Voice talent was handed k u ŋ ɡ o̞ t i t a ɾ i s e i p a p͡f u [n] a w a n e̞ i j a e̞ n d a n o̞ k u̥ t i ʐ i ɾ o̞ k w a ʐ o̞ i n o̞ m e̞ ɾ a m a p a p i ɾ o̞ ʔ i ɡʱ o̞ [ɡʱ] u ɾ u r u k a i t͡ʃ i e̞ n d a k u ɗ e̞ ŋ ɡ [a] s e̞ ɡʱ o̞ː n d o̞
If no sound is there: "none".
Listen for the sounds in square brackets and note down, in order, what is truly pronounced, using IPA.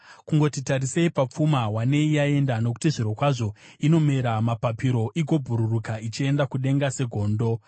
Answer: m, bʱ, a

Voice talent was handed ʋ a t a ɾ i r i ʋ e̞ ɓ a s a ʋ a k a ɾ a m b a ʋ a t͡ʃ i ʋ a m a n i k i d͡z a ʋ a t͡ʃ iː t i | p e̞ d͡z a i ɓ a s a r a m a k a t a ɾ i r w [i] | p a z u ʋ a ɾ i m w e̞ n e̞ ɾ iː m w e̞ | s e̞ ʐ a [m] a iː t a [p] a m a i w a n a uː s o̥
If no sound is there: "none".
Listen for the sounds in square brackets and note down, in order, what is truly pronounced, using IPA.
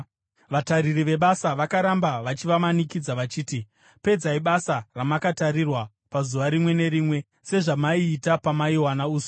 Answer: a, m, p

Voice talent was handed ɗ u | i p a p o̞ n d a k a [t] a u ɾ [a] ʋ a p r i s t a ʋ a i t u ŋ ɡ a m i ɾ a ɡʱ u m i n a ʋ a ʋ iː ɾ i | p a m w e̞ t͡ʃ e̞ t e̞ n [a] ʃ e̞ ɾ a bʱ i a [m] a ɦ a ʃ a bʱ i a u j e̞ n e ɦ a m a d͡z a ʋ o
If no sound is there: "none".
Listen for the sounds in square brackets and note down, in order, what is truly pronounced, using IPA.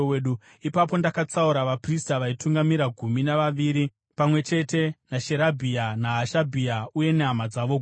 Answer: t͡s, a, a, n

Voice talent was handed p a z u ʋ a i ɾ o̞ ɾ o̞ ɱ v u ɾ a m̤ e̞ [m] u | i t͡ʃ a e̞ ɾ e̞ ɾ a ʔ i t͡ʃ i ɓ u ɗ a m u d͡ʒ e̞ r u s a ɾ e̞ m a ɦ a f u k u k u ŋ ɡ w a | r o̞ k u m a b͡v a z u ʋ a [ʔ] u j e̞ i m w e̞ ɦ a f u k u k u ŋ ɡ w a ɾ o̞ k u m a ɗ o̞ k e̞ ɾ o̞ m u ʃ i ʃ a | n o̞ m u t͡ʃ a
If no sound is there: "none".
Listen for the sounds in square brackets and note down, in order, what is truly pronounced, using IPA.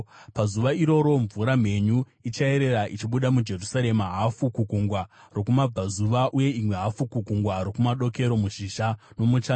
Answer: ɲ, ʔ

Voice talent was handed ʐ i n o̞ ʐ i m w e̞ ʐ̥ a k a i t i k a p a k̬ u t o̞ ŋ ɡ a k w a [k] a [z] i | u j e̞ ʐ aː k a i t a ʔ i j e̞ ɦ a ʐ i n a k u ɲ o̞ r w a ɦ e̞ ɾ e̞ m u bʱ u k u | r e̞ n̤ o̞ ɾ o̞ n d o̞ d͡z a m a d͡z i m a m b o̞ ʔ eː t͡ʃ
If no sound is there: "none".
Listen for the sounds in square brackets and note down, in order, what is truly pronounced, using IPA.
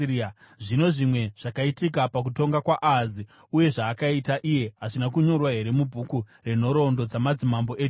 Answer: ʔ, z

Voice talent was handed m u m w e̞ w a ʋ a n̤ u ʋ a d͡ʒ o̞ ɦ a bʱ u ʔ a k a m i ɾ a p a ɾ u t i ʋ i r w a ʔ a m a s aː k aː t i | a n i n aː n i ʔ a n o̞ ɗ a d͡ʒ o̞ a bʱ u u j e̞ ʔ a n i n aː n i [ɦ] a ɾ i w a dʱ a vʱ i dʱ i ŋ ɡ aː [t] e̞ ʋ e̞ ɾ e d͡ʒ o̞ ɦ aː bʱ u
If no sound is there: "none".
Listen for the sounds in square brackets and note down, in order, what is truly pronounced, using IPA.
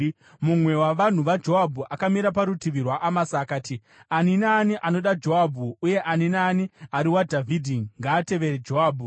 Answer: none, t

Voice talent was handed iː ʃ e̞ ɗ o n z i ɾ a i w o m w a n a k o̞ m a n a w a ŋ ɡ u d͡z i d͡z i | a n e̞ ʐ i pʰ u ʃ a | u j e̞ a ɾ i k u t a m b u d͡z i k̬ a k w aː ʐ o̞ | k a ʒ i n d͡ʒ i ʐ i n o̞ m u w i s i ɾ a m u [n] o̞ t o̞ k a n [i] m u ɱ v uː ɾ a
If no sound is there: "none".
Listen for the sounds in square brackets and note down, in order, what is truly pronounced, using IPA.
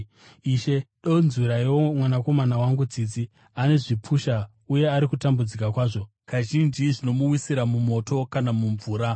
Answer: m, a

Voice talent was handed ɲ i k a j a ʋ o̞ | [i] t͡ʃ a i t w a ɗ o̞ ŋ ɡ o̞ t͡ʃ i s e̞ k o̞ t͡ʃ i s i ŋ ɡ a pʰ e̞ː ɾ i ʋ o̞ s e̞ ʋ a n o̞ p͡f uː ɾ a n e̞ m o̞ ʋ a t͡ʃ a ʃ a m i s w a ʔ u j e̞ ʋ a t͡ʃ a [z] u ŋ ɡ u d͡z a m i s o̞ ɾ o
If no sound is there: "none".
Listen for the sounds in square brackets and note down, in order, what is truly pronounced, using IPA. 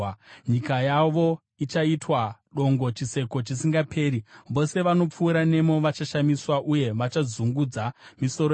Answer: i, z

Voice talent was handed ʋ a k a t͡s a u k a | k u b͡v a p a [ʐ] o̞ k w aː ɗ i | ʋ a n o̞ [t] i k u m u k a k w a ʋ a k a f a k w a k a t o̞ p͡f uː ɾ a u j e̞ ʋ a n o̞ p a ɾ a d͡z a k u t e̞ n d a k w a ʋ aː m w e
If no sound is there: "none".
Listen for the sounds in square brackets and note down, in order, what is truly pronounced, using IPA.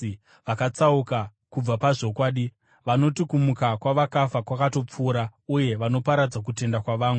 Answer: ʐ, t

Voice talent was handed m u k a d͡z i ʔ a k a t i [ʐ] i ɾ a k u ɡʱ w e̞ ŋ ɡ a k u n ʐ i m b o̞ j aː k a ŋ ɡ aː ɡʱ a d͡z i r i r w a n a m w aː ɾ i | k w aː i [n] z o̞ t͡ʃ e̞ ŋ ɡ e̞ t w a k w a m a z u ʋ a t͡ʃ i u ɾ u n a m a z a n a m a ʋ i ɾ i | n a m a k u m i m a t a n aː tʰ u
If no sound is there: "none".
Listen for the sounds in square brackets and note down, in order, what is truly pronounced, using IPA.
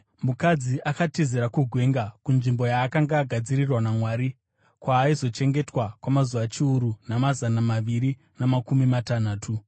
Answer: z, none

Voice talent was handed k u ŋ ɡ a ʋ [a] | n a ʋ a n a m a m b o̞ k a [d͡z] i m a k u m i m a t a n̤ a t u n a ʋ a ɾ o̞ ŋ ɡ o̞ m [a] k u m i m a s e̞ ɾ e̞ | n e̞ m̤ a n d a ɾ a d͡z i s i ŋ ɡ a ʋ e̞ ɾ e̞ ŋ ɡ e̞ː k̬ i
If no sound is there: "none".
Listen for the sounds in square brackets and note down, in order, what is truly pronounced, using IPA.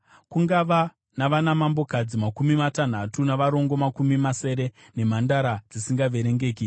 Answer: a, d͡z, a

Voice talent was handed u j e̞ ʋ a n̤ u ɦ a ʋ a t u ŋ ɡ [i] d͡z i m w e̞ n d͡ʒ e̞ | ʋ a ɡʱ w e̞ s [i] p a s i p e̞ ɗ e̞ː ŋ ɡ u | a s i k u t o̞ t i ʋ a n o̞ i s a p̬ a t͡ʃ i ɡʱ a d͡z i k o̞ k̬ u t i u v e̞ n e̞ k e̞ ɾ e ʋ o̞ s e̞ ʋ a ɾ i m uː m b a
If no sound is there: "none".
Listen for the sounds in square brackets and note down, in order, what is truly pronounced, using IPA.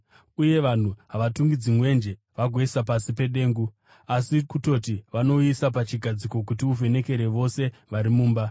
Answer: i, a

